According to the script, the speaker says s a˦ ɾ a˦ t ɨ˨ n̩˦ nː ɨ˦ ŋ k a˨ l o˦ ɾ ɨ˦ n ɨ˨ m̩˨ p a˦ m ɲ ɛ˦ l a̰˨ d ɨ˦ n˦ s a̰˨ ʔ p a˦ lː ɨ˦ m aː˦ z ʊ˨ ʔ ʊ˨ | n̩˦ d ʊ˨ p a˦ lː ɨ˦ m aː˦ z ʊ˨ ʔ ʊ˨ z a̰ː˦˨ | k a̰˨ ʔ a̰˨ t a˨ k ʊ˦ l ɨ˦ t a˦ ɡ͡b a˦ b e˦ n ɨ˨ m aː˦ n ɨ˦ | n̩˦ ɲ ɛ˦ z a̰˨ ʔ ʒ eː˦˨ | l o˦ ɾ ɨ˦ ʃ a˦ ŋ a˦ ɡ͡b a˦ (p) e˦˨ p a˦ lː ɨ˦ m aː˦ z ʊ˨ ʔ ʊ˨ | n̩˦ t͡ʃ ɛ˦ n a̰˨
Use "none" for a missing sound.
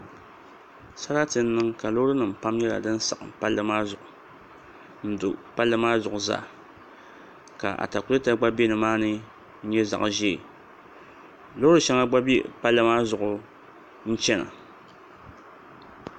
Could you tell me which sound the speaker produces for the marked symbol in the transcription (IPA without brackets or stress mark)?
b